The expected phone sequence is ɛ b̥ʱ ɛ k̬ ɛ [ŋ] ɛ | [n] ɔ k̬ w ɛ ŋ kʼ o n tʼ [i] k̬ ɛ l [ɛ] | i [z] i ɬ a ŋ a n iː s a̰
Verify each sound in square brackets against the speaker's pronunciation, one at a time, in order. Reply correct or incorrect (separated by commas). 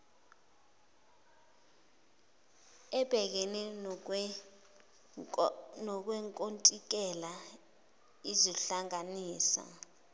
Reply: incorrect, correct, correct, incorrect, correct